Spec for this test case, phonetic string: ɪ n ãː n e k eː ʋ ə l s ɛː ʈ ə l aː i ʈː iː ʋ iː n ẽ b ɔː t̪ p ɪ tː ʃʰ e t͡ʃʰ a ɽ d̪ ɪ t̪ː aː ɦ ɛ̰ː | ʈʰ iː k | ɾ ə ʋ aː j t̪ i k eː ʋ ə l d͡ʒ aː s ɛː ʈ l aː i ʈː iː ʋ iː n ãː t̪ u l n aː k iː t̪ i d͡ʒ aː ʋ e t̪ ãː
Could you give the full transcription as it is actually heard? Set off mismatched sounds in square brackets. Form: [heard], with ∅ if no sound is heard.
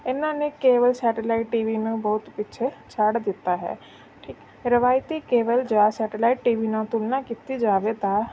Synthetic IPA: ɪ n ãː n e k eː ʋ ə l s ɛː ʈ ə l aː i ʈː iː ʋ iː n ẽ b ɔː t̪ p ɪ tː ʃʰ e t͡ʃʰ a ɽ d̪ ɪ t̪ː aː ɦ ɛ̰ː | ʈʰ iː k | ɾ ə ʋ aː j t̪ i k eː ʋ ə l d͡ʒ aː s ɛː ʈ l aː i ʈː iː ʋ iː n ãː t̪ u l n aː k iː t̪ i d͡ʒ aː ʋ e t̪ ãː

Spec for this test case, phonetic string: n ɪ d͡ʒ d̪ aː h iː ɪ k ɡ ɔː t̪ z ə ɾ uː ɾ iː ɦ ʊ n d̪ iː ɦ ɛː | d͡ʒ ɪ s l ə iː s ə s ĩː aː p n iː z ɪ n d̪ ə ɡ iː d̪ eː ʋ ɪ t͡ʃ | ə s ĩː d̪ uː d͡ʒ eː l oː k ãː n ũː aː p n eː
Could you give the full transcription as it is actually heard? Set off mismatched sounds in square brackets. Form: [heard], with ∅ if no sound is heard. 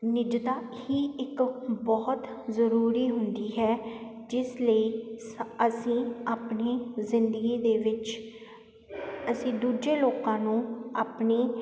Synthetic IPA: n ɪ d͡ʒ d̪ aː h iː ɪ k [b] ɔː t̪ z ə ɾ uː ɾ iː ɦ ʊ n d̪ iː ɦ ɛː | d͡ʒ ɪ s l ə iː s ə s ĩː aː p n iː z ɪ n d̪ ə ɡ iː d̪ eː ʋ ɪ t͡ʃ | ə s ĩː d̪ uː d͡ʒ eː l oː k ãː n ũː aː p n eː

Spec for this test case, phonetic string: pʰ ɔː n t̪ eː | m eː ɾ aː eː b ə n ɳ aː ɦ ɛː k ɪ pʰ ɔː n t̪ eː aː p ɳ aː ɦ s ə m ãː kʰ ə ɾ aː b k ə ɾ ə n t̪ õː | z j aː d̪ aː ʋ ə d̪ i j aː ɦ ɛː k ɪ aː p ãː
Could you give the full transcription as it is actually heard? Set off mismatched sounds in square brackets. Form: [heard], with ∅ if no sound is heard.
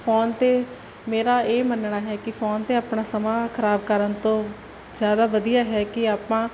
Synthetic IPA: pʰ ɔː n t̪ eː | m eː ɾ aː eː [m] ə n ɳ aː ɦ ɛː k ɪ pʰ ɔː n t̪ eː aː p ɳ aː [∅] s ə m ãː kʰ ə ɾ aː b k ə ɾ ə n t̪ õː | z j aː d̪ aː ʋ ə d̪ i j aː ɦ ɛː k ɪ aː p ãː

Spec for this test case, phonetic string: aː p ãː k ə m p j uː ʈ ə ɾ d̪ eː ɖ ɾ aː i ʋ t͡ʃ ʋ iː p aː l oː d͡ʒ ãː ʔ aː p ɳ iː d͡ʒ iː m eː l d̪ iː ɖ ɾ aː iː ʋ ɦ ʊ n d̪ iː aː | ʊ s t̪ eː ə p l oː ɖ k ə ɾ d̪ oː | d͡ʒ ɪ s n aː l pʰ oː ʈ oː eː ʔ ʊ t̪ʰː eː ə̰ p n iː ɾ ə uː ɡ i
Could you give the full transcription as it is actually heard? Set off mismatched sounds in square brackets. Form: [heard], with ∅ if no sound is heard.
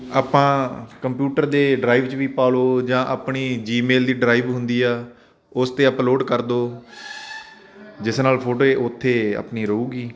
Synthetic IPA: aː p ãː k ə m p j uː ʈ ə ɾ d̪ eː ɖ ɾ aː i ʋ t͡ʃ ʋ iː p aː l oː d͡ʒ ãː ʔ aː p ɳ iː d͡ʒ iː m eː l d̪ iː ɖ ɾ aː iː ʋ ɦ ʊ n d̪ iː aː | ʊ s t̪ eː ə p l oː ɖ k ə ɾ d̪ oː | d͡ʒ ɪ s n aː l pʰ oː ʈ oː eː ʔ ʊ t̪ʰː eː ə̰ p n iː ɾ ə uː ɡ [iː]

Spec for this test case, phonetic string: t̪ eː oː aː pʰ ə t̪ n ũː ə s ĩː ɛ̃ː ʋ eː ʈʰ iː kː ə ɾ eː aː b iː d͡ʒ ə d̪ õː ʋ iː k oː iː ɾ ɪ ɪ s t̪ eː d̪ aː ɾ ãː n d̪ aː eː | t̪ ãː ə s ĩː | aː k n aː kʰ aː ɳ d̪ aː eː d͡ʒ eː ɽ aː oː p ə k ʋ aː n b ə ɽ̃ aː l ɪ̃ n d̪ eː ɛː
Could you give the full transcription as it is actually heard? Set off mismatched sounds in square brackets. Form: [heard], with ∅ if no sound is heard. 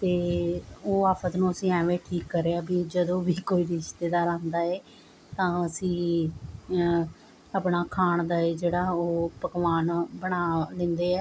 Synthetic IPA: t̪ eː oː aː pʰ ə t̪ n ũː ə s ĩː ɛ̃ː ʋ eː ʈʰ iː kː ə ɾ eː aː b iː d͡ʒ ə d̪ õː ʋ iː k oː iː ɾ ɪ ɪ [ʃ] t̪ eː d̪ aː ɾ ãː n d̪ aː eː | t̪ ãː ə s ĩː | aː [p] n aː kʰ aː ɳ d̪ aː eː d͡ʒ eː ɽ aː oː p ə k ʋ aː n b ə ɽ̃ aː l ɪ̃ n d̪ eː ɛː

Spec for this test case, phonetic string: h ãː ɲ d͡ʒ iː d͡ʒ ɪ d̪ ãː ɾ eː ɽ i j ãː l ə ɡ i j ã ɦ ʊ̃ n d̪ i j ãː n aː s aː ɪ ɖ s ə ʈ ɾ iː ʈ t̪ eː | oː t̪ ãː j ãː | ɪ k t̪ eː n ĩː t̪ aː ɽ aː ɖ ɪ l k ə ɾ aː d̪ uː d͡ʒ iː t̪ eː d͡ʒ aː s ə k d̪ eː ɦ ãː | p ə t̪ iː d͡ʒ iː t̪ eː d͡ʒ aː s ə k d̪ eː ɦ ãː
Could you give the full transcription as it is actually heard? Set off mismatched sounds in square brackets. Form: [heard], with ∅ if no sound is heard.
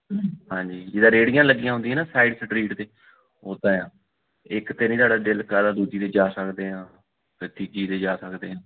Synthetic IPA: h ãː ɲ d͡ʒ iː d͡ʒ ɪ d̪ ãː ɾ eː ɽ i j ãː l ə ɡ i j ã ɦ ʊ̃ n d̪ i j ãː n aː s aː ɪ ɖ s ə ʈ ɾ iː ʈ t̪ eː | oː t̪ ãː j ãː | ɪ k t̪ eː n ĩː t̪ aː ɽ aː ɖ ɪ l k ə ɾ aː d̪ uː d͡ʒ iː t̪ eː d͡ʒ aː s ə k d̪ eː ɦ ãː | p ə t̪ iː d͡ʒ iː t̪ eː d͡ʒ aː s ə k d̪ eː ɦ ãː

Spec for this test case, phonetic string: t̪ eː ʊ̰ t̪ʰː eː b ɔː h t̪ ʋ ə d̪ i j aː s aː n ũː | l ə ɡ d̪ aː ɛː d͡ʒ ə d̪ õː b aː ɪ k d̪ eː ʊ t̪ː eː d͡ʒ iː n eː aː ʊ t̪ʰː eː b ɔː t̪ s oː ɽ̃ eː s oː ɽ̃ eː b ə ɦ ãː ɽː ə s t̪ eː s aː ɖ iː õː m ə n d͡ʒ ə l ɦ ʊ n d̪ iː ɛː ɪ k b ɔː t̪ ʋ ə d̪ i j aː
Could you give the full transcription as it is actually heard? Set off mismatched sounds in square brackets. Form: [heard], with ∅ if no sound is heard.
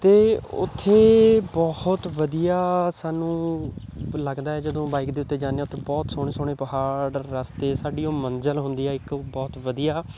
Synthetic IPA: t̪ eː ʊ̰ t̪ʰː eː b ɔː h t̪ ʋ ə d̪ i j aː s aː n ũː | l ə ɡ d̪ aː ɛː d͡ʒ ə d̪ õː b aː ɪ k d̪ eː ʊ t̪ː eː d͡ʒ [aː] n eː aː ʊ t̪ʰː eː b ɔː t̪ s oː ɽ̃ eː s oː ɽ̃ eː [p] ə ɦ [aː] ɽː ə s t̪ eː s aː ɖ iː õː m ə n d͡ʒ ə l ɦ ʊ n d̪ iː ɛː ɪ k b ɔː t̪ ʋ ə d̪ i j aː

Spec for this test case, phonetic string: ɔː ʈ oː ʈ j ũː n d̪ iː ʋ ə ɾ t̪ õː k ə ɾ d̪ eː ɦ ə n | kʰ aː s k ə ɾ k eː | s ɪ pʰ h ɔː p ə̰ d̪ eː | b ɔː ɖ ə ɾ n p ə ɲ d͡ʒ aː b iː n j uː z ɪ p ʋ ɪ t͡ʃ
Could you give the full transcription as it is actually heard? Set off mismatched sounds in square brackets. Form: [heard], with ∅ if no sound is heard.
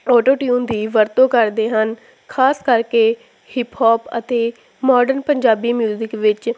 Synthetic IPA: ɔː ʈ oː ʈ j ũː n d̪ iː ʋ ə ɾ t̪ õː k ə ɾ d̪ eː ɦ ə n | kʰ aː s k ə ɾ k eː | [h] ɪ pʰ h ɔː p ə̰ [t̪] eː | [m] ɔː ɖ ə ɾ n p ə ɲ d͡ʒ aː b iː [m] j uː z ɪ [k] ʋ ɪ t͡ʃ

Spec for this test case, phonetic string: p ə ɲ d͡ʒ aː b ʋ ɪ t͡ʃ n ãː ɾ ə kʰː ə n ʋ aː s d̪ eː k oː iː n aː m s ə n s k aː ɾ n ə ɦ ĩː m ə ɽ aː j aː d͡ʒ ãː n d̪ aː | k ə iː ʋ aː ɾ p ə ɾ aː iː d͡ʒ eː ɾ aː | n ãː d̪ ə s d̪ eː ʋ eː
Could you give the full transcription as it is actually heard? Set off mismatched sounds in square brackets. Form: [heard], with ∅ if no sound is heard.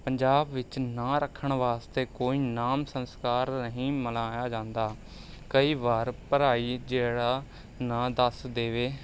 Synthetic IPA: p ə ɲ d͡ʒ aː b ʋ ɪ t͡ʃ n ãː ɾ ə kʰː ə [ɳ] ʋ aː s [t̪] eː k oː iː n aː m s ə n s k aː ɾ n ə ɦ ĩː m ə [l] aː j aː d͡ʒ ãː n d̪ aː | k ə iː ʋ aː ɾ p ə ɾ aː iː d͡ʒ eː [ɽ] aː | n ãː d̪ ə s d̪ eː ʋ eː

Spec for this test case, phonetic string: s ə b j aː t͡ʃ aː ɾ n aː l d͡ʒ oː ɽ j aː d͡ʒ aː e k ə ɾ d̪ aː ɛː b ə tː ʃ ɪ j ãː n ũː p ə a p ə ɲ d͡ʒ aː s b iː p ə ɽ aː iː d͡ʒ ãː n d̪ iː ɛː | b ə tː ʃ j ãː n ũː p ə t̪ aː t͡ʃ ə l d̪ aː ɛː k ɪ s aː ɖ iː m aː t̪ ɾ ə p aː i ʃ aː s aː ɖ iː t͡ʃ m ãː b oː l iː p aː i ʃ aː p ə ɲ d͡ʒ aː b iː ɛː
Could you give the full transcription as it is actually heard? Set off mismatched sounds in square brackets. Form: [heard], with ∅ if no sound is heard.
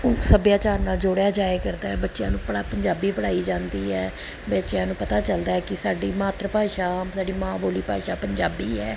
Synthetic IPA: s ə b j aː t͡ʃ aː ɾ n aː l d͡ʒ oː ɽ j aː d͡ʒ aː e k ə ɾ d̪ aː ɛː b ə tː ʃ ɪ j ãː n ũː p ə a p ə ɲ d͡ʒ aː [∅] b iː p ə ɽ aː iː d͡ʒ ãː n d̪ iː ɛː | b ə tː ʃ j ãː n ũː p ə t̪ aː t͡ʃ ə l d̪ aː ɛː k ɪ s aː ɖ iː m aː t̪ ɾ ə p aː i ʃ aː s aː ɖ iː [∅] m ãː b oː l iː p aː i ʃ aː p ə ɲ d͡ʒ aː b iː ɛː

